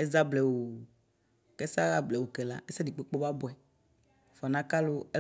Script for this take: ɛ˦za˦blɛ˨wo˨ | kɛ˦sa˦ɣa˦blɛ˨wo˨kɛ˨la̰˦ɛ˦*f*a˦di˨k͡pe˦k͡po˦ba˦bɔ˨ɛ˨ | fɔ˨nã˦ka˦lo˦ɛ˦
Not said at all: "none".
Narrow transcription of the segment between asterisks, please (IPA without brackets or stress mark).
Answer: s